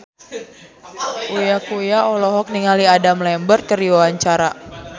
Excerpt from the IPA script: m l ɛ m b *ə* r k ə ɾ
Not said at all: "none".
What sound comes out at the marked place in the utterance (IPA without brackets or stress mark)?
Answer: ə